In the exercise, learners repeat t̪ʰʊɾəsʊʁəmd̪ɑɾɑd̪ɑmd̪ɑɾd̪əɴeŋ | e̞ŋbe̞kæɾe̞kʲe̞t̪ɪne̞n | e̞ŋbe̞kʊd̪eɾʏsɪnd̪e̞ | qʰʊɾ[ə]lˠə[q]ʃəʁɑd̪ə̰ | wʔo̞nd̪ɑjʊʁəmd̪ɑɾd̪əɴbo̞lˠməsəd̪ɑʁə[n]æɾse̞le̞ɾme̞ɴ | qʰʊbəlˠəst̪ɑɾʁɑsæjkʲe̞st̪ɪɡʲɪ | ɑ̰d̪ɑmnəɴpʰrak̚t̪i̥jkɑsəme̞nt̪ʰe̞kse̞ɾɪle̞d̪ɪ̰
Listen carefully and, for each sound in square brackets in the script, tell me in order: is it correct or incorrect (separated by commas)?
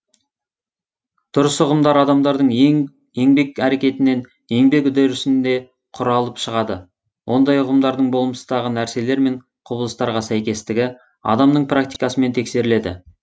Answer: incorrect, incorrect, correct